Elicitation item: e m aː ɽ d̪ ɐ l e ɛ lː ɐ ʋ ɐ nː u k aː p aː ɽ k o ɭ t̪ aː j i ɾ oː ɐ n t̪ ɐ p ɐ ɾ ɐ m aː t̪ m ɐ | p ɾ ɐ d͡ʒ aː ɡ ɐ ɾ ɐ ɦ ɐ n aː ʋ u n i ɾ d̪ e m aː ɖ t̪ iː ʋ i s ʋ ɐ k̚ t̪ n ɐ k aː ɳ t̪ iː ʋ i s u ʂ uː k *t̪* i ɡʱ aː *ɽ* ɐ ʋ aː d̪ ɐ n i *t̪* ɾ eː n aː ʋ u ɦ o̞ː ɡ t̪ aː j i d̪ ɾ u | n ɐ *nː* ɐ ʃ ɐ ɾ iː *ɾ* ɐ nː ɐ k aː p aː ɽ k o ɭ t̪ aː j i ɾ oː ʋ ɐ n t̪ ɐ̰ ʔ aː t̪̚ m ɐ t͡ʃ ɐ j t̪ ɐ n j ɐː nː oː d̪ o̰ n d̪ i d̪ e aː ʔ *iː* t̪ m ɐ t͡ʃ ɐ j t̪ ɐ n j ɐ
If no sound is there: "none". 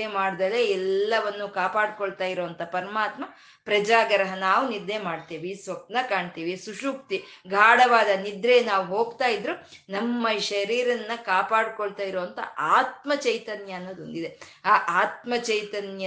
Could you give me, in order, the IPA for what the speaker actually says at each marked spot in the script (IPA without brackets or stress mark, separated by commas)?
t̪, ɽ, d̪, mː, ɾ, aː